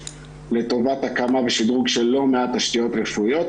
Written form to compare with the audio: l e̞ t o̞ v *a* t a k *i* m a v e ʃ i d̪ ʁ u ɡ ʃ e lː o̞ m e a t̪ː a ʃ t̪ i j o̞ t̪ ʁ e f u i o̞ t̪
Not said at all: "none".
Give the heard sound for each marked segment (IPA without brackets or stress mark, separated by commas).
a, a